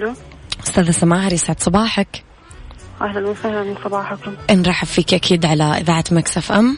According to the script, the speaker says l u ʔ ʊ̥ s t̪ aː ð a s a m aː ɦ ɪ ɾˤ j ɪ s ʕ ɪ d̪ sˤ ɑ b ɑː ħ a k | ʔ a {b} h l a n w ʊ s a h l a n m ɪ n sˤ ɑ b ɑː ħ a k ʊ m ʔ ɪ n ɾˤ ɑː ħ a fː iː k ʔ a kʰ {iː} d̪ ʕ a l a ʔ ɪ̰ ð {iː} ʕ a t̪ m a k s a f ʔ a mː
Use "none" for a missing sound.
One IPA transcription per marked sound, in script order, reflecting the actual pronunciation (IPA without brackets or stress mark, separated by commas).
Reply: none, iː, aː